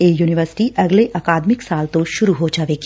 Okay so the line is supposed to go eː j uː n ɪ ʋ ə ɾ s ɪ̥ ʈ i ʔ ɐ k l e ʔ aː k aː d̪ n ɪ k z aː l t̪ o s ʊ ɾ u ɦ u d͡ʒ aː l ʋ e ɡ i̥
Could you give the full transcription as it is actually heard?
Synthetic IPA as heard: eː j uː n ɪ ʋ ə ɾ s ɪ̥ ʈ i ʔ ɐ ɡ l e ʔ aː k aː d̪ m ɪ k s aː l t̪ o ʃ ʊ ɾ u ɦ o d͡ʒ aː ʋ e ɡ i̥